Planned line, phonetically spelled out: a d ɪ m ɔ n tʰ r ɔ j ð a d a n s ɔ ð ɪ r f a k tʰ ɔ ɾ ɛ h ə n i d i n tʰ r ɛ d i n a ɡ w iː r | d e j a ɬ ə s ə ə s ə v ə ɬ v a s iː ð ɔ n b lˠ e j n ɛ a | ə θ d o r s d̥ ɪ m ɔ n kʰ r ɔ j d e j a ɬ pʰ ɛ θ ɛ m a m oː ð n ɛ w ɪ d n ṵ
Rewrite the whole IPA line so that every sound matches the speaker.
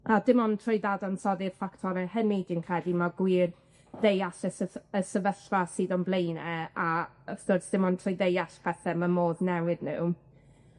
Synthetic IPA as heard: a d ɪ m ɔ n tʰ r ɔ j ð a d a n s ɔ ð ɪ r f a k tʰ ɔ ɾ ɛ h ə n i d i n kʰ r ɛ d i m a ɡ w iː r | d e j a ɬ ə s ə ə s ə v ə ɬ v a s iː ð ɔ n b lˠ e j n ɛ a | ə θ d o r s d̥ ɪ m ɔ n tʰ r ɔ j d e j a ɬ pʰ ɛ θ ɛ m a m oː ð n ɛ w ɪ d n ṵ